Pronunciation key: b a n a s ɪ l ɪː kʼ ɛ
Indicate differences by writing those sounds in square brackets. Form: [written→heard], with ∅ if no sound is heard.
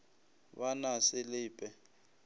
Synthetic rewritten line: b a n a s ɪ l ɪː [kʼ→pʼ] ɛ